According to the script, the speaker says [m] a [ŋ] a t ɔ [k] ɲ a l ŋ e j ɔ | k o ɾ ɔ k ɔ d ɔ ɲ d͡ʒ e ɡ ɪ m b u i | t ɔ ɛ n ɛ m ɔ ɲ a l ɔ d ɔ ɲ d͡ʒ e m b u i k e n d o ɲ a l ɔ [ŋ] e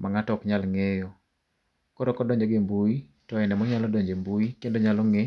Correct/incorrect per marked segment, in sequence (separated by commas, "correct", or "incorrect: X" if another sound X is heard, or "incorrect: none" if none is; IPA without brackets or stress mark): correct, correct, correct, correct